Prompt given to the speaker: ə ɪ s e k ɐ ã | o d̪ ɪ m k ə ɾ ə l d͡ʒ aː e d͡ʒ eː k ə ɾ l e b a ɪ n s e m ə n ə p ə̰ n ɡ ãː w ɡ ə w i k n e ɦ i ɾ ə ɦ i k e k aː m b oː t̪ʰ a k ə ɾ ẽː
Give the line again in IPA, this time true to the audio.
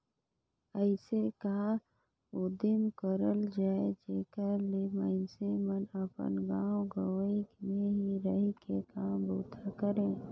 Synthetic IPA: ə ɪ s e k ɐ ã | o d̪ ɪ m k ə ɾ ə l d͡ʒ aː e d͡ʒ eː k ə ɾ l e m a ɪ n s e m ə n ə p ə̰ n ɡ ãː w ɡ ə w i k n e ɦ i ɾ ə ɦ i k e k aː m b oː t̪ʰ a k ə ɾ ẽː

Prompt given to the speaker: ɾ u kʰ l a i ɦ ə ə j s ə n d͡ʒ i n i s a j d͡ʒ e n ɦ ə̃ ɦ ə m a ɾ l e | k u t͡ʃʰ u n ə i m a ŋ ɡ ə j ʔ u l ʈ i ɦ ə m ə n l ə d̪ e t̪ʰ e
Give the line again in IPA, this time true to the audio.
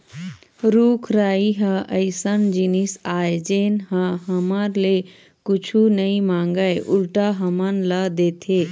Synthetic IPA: ɾ u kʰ ɾ a i ɦ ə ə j s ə n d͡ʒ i n i s a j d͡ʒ e n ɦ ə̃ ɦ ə m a ɾ l e | k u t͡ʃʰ u n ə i m a ŋ ɡ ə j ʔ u l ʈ a ɦ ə m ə n l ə d̪ e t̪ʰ e

